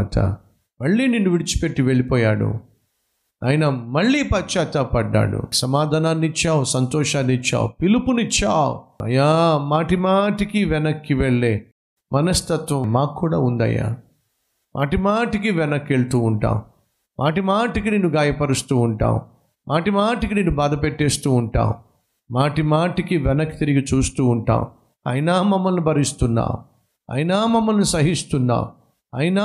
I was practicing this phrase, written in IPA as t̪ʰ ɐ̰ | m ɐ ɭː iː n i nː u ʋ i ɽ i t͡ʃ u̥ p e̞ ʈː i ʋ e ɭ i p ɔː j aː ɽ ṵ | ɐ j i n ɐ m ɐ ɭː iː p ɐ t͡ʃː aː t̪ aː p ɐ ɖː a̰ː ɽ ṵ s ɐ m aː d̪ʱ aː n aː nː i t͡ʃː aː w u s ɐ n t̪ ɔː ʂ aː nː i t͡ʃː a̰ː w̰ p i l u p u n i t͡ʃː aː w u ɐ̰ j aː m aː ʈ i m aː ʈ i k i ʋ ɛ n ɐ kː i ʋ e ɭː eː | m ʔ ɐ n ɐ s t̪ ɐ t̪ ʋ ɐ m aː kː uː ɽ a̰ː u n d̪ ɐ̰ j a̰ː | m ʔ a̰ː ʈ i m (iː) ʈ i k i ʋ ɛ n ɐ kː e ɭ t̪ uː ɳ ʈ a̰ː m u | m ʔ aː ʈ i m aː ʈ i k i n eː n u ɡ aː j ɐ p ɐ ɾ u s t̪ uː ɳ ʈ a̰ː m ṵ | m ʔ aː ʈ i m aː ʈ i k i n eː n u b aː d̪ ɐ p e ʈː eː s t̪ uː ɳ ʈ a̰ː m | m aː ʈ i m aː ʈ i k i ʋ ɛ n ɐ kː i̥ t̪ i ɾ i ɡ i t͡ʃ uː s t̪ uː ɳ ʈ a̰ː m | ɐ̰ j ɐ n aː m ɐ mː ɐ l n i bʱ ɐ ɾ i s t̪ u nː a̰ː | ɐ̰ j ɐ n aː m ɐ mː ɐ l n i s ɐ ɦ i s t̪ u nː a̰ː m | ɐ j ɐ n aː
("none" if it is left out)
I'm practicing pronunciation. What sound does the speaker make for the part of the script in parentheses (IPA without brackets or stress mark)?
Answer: aː